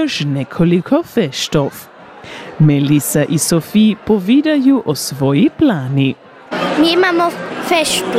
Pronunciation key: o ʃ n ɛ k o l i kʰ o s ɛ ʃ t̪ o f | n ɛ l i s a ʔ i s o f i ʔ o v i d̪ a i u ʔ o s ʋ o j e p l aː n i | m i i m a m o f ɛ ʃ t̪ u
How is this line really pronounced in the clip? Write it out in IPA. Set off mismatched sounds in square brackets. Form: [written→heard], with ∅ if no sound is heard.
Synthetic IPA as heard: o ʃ n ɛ [k→kʰ] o l i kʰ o [s→f] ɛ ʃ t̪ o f | [n→m] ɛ l i s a ʔ i s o f i [ʔ→p] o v i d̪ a [i→j] u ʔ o s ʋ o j [e→i] p l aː n i | m i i m a m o f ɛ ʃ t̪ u